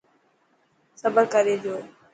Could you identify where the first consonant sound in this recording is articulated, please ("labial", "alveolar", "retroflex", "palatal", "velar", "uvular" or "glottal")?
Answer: alveolar